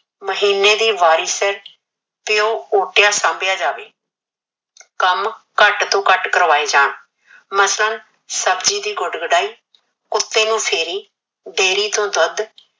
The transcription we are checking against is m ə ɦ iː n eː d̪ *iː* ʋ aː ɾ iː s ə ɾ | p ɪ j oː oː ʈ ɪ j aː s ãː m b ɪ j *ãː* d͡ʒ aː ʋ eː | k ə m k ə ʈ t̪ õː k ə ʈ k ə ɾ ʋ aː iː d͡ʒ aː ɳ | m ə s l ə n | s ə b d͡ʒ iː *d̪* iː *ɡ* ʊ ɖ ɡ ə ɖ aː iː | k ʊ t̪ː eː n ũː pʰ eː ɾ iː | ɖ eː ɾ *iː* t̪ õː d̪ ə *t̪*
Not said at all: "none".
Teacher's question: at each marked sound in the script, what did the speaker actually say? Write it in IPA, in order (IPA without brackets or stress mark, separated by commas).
iː, aː, d̪, ɡ, iː, d̪